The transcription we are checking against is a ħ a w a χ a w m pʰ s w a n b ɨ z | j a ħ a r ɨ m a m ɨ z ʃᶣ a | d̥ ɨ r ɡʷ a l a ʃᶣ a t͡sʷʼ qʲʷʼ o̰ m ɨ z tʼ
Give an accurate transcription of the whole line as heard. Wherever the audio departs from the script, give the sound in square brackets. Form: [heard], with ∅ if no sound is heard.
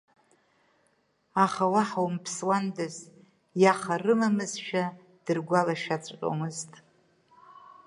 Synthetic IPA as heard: a [χ] a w a [ħ] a w m pʰ s w a n [d] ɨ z | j a [χ] a r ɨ m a m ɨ z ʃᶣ a | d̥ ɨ r ɡʷ a l a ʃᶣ a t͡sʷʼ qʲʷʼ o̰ m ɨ z tʼ

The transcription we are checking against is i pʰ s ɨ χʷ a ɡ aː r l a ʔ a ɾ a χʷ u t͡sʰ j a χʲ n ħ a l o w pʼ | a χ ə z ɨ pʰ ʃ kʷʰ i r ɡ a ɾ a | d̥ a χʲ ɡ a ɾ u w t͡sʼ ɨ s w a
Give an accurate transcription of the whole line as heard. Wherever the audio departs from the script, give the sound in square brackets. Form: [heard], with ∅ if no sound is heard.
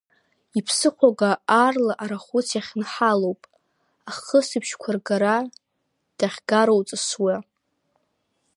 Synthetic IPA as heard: i pʰ s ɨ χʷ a ɡ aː r l a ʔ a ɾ a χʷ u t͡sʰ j a χʲ n ħ a l o w pʼ | a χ ə [s] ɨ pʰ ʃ kʷʰ [a] r ɡ a ɾ a | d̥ a χʲ ɡ a ɾ [o] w t͡sʼ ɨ s w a

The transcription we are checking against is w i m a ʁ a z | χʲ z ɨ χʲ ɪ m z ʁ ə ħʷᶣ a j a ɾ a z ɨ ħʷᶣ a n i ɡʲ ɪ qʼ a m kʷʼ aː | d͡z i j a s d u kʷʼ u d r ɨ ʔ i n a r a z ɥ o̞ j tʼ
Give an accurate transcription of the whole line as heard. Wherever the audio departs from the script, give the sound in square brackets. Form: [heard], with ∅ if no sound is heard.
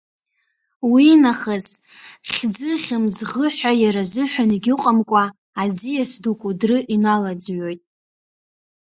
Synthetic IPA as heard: w i [n] a [χ] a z | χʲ [d͡z] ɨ χʲ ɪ m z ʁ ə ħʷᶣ a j a ɾ a z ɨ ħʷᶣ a n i ɡʲ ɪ qʼ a m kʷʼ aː | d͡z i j a s d u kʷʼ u d r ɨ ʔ i n a [l] a [d͡z] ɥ o̞ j tʼ

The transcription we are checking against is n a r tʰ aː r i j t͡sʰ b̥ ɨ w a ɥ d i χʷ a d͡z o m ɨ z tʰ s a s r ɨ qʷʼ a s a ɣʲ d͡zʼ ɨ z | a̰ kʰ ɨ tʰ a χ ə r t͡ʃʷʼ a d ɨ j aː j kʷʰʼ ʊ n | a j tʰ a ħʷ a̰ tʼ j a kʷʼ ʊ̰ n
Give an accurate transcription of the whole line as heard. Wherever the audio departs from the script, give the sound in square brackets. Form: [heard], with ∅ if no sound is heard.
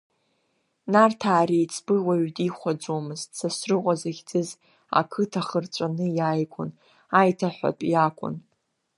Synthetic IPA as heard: n a r tʰ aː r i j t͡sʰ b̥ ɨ w a ɥ d i χʷ a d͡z o m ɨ z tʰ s a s r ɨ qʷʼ a [z] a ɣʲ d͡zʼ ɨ z | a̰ kʰ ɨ tʰ a χ ə r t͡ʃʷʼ a [n] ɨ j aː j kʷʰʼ ʊ n | a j tʰ a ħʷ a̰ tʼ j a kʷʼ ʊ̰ n

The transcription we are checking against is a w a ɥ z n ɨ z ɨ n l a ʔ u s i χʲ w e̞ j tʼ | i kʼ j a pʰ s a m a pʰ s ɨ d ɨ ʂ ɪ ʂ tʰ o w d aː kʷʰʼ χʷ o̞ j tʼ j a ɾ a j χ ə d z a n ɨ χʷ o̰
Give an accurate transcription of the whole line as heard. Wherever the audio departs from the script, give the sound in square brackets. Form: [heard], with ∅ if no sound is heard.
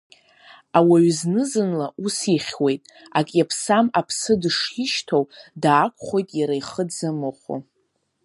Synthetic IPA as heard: a w a ɥ z n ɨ z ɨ n l a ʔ u s i χʲ w e̞ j tʼ | [a] kʼ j a pʰ s a m a pʰ s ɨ d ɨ ʂ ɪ [ʃ] tʰ o w d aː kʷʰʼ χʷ o̞ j tʼ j a ɾ a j χ ə d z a [m] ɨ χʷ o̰

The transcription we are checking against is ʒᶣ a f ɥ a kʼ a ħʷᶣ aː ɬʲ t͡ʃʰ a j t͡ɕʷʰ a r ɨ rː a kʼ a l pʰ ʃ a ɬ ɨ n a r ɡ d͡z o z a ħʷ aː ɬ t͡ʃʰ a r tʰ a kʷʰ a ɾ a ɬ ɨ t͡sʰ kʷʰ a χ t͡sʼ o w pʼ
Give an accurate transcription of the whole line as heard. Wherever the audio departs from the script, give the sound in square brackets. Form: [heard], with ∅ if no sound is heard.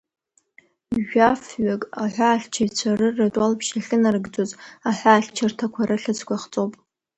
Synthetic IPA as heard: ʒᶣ a f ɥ a kʼ a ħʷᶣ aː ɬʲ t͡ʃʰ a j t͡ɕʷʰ a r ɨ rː a [tʼ] a l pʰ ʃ a ɬ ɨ n a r ɡ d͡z o z a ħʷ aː ɬ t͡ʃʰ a r tʰ a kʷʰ a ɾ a ɬ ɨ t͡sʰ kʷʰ a χ t͡sʼ o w pʼ

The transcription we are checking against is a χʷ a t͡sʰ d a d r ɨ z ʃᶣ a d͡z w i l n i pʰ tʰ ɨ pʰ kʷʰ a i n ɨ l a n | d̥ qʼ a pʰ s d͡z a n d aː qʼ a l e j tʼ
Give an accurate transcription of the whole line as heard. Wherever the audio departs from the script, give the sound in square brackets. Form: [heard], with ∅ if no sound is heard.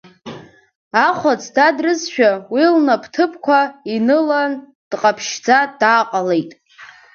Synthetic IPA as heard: a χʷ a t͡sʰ d a d r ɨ z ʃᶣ a [∅] w i l n [a] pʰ tʰ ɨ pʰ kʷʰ a i n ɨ l a n | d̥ qʼ a pʰ [ʃ] d͡z a [∅] d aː qʼ a l e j tʼ

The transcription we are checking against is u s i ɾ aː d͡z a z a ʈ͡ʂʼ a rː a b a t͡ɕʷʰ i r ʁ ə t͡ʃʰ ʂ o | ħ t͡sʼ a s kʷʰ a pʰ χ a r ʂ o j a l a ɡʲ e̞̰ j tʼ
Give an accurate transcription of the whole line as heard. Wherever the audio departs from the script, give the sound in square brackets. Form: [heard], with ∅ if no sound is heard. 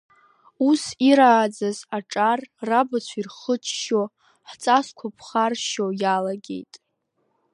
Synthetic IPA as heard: u s i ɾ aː d͡z a z a ʈ͡ʂʼ a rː a b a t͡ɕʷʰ i r [χ] ə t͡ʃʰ [ʃ] o | ħ t͡sʼ a s kʷʰ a pʰ χ a r [ʃ] o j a l a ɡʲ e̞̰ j tʼ

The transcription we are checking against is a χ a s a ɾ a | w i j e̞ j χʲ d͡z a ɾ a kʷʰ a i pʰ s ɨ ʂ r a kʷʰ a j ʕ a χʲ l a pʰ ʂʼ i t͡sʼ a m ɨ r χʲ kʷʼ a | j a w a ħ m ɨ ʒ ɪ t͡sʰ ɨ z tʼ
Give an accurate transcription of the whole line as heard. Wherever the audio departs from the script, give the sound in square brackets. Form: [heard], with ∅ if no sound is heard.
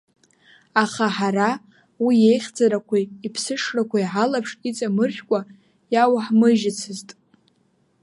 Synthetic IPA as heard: a χ a [ħ] a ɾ a | w i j e̞ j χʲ d͡z a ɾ a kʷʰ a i pʰ s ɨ ʂ r a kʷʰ a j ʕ a [∅] l a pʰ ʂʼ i t͡sʼ a m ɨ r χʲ kʷʼ a | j a w a ħ m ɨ ʒ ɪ t͡sʰ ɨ z tʼ

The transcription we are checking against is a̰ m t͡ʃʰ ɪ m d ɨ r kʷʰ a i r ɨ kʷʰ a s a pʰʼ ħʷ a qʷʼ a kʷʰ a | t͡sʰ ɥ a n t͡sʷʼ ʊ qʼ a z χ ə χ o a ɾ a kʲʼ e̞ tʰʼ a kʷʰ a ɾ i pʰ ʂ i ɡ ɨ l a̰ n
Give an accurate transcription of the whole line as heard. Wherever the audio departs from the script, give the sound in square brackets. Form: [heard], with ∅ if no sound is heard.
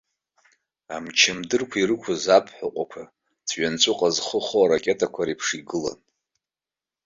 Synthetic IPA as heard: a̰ m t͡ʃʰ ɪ m d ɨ r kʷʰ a i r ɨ kʷʰ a [z] a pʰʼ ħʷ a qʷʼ a kʷʰ a | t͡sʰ ɥ a n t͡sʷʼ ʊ qʼ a z χ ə χ o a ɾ a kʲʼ e̞ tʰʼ a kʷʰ a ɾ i pʰ ʂ i ɡ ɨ l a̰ n

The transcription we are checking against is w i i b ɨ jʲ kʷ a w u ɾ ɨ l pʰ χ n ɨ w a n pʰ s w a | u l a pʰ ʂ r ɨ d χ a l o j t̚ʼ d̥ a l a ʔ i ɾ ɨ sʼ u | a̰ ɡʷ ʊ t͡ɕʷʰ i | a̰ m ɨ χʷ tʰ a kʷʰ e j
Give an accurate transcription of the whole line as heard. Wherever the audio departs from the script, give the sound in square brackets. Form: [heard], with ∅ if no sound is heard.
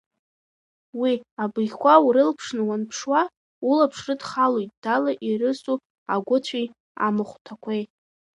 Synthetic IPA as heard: w i [a] b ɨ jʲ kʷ a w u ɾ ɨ l pʰ [ʂ] n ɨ w a n pʰ [ʂ] w a | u l a pʰ ʂ r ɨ d χ a l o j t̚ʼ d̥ a l a ʔ i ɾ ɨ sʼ u | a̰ ɡʷ ʊ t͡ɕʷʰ i | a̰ m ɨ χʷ tʰ a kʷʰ e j

